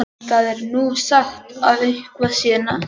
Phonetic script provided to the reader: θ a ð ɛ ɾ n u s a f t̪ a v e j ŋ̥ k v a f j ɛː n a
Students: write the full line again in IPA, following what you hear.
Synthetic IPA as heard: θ a ð ɛ ɾ n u s a x t̪ a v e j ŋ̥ k v a s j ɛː n a